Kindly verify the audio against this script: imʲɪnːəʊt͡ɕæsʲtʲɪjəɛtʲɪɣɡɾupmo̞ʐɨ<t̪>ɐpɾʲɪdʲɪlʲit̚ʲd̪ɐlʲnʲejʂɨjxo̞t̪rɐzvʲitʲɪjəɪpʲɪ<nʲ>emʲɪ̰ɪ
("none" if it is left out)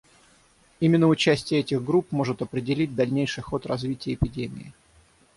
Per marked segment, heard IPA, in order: t̪, dʲ

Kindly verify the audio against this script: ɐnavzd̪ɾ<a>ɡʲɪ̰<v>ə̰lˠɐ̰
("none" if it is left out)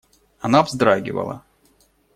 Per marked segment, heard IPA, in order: a, v

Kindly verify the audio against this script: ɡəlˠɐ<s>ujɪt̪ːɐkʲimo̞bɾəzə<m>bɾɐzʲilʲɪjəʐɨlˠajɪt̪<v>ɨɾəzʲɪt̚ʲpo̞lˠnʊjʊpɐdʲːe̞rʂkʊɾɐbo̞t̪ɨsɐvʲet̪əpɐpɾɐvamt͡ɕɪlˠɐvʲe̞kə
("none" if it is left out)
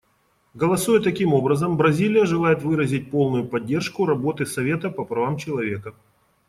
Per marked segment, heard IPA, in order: s, m, v

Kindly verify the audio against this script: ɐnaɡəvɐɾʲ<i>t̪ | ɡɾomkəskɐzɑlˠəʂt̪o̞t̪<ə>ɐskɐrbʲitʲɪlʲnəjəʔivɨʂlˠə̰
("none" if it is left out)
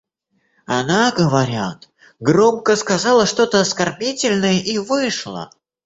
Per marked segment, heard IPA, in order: a, ə

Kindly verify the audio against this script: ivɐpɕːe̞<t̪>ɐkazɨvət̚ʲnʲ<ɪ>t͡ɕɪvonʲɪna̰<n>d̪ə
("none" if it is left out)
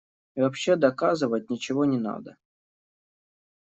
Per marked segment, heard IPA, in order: d̪, ɪ, none

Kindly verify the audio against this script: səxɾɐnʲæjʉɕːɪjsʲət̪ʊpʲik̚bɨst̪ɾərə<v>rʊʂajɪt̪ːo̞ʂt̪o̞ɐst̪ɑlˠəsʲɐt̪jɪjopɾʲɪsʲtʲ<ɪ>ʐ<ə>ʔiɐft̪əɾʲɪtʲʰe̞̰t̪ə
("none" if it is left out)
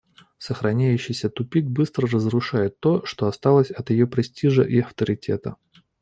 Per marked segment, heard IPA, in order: z, i, ə

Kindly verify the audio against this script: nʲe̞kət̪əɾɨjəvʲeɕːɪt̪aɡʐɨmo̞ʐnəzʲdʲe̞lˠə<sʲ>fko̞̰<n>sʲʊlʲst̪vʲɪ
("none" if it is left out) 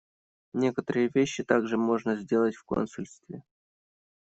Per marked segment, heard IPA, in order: tʲ, n

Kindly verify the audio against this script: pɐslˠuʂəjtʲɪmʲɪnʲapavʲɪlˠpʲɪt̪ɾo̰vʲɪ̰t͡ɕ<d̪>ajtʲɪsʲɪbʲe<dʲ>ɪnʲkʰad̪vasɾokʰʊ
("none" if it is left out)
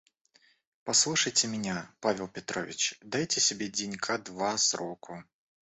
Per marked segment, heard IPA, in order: d̪, dʲ

